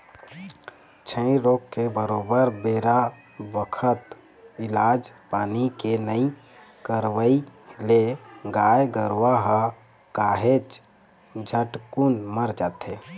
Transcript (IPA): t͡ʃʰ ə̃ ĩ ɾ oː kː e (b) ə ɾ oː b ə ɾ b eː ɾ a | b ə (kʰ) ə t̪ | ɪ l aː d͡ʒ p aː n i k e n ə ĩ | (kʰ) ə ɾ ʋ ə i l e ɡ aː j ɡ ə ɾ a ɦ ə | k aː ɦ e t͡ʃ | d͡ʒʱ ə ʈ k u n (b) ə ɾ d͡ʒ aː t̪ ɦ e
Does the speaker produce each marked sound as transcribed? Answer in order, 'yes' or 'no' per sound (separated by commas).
yes, yes, no, no